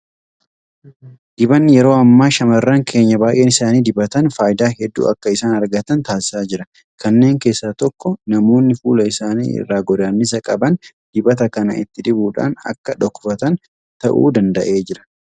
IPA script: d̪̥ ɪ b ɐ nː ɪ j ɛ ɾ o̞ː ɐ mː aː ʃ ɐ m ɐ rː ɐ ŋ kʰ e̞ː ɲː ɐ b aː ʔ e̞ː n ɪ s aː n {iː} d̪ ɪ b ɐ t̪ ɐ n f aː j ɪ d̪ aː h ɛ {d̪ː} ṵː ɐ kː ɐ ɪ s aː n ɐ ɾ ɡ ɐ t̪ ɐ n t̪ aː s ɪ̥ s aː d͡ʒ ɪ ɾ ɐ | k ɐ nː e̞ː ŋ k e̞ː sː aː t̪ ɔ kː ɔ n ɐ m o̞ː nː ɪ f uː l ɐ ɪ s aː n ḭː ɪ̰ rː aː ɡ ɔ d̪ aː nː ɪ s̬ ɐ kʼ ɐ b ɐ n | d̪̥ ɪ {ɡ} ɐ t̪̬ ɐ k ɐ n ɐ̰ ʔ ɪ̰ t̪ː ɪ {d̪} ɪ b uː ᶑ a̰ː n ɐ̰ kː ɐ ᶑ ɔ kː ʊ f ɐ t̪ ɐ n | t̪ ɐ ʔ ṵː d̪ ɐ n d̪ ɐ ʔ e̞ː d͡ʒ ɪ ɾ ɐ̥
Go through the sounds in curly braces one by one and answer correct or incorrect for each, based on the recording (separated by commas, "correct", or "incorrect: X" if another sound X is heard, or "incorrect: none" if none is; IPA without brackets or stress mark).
correct, correct, incorrect: b, correct